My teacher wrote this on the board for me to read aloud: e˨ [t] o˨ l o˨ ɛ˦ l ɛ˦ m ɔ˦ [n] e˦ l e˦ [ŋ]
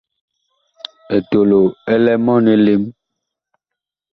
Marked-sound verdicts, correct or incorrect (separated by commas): correct, correct, incorrect